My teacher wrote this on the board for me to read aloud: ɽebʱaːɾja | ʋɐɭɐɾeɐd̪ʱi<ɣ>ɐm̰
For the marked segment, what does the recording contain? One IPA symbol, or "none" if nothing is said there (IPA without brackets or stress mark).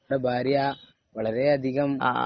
ɣ